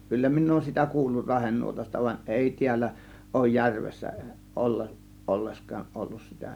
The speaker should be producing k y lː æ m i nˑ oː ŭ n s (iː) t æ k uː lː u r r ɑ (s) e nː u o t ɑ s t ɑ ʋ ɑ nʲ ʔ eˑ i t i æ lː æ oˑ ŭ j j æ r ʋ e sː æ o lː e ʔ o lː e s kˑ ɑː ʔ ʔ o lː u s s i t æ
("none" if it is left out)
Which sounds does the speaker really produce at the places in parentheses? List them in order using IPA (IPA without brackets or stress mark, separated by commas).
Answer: i, h